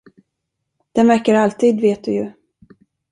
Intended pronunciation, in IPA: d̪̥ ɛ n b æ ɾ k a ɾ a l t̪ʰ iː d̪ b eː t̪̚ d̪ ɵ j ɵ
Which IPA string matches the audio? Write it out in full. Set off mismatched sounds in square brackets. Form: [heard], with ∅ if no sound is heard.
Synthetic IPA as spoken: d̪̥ ɛ n [v] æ ɾ k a ɾ a l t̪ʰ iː d̪ [v] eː t̪̚ d̪ ɵ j ɵ